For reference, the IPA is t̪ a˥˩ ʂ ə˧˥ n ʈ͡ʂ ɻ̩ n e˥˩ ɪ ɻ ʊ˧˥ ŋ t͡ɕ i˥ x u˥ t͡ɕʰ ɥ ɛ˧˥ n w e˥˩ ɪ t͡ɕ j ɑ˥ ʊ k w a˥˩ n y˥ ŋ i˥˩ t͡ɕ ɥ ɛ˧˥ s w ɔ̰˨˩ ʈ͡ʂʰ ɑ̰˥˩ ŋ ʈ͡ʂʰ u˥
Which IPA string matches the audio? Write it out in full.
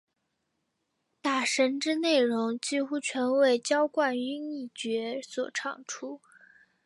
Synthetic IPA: t̪ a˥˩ ʂ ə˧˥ n ʈ͡ʂ ɻ̩ n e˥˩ ɪ ɻ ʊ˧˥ ŋ t͡ɕ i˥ x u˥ t͡ɕʰ ɥ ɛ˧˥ n w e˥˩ ɪ t͡ɕ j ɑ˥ ʊ k w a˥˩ n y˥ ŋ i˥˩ t͡ɕ ɥ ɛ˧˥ s w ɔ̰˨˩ ʈ͡ʂʰ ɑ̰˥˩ ŋ ʈ͡ʂʰ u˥